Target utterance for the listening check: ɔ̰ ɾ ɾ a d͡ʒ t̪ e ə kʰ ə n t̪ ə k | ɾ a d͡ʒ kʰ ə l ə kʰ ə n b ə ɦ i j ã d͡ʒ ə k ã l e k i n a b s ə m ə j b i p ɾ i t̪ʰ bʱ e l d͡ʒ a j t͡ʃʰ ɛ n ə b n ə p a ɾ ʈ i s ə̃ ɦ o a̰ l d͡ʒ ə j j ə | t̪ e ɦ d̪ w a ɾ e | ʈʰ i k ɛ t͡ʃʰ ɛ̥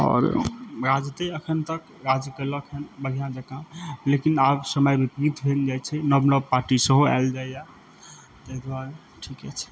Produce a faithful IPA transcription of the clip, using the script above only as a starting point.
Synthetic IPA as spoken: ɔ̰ ɾ ɾ a d͡ʒ t̪ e ə kʰ ə n t̪ ə k | ɾ a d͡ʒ k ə l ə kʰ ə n b ə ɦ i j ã d͡ʒ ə k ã l e k i n a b s ə m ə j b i p ɾ i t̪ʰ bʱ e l d͡ʒ a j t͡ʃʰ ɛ n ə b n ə p a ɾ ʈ i s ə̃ ɦ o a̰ l d͡ʒ a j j a | t̪ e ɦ d̪ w a ɾ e | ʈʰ i k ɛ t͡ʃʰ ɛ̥